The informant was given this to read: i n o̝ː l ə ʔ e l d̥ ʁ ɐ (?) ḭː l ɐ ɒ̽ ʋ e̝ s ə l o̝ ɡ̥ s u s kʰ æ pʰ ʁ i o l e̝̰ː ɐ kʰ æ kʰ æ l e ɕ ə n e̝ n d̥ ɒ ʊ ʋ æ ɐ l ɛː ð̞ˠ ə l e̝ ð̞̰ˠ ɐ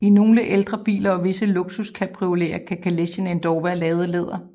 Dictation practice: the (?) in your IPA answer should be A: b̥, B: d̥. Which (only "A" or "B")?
A